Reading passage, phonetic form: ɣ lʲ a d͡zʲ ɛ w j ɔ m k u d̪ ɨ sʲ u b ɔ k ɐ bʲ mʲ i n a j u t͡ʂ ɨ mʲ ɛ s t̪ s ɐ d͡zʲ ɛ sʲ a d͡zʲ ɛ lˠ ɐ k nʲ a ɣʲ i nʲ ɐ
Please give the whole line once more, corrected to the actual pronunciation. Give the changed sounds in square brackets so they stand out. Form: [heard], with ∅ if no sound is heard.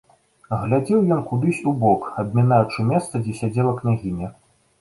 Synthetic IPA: ɣ lʲ a d͡zʲ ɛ w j ɔ [n] k u d̪ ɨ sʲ u b ɔ k ɐ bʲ mʲ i n a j u t͡ʂ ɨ mʲ ɛ s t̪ s ɐ d͡zʲ ɛ sʲ a d͡zʲ ɛ lˠ ɐ k nʲ a ɣʲ i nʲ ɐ